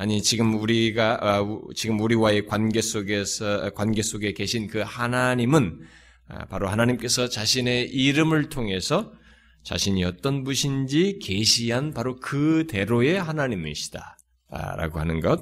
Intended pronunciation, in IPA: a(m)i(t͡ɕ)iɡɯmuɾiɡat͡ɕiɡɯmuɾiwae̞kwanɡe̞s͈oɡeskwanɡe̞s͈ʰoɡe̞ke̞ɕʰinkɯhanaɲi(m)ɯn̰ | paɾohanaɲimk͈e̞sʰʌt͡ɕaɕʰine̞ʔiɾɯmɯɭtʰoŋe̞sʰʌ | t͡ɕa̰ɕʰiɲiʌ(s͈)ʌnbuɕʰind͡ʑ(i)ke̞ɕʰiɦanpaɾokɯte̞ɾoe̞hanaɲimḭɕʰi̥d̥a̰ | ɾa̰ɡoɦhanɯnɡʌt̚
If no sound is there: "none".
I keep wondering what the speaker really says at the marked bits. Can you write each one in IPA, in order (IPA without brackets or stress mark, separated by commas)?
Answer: ɲ, t͡ɕ, m, t͈, i